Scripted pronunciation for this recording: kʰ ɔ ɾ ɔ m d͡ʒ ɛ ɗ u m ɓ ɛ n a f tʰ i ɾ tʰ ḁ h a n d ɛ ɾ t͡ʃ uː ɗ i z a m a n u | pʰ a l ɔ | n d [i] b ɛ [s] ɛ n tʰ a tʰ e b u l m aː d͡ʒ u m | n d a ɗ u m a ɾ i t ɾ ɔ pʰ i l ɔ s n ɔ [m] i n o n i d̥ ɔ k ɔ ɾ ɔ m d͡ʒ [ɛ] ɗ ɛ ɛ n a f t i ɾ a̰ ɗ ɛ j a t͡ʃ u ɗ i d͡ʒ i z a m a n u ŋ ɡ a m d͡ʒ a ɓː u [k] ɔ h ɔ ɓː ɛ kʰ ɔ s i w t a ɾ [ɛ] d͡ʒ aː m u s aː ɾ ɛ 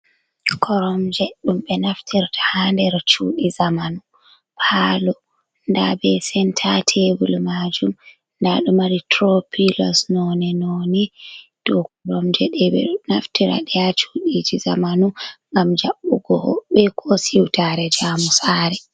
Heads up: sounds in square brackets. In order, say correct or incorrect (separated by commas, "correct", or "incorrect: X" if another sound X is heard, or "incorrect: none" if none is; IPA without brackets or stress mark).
incorrect: a, correct, incorrect: n, correct, incorrect: ɡ, correct